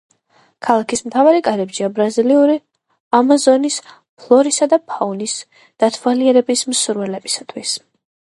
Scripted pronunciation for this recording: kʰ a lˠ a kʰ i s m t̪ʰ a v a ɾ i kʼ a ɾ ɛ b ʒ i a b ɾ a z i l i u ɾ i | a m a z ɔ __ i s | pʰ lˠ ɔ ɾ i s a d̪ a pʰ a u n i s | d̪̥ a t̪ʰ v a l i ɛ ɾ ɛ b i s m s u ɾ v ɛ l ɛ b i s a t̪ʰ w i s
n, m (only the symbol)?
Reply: n